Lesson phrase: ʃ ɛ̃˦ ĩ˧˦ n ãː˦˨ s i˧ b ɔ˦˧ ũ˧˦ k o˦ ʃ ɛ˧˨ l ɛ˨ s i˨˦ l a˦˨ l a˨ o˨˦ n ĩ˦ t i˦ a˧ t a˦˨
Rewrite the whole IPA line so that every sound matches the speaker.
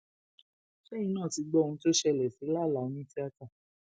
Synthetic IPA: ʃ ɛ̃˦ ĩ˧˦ n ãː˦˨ t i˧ ɡ͡b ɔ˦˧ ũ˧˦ t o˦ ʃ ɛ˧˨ l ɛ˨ s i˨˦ l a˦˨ l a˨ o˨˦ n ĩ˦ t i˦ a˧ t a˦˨

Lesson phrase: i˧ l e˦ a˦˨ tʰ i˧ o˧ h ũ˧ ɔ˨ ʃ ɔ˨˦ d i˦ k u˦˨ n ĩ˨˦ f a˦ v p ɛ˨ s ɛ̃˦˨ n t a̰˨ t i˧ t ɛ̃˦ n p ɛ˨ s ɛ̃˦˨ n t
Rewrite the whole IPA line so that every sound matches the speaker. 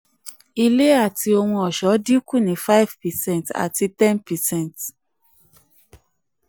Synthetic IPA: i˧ l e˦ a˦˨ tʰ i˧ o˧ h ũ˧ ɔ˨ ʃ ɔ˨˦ d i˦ k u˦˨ n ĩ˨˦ f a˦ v p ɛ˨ s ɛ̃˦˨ n t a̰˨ t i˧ t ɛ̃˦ n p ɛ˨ s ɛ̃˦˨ n t

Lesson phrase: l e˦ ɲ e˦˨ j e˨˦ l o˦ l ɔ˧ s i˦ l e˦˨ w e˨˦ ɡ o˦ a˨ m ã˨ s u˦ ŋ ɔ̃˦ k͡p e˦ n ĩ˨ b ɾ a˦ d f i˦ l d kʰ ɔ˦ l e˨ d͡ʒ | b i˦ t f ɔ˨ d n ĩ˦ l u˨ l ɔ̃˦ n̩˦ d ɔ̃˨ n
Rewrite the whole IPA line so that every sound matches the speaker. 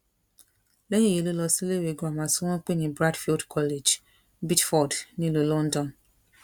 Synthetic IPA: l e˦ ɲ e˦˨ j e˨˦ l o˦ l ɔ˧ s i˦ l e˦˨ w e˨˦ ɡ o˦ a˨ m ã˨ s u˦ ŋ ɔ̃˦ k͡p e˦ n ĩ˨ b ɾ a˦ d f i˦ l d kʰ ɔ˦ l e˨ d͡ʒ | b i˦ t f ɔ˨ d n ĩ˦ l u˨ l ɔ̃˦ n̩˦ d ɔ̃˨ n

